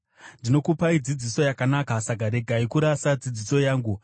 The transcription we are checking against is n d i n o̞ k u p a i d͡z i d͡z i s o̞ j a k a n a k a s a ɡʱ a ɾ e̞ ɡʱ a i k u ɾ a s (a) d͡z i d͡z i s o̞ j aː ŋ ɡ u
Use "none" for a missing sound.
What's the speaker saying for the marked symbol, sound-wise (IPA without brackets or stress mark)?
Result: a